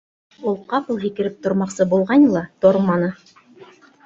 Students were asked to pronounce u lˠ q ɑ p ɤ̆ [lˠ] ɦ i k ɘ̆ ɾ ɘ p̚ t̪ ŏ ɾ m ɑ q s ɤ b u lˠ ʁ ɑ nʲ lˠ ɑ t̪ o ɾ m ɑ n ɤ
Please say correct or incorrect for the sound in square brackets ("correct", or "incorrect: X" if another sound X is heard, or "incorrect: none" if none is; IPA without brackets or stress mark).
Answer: correct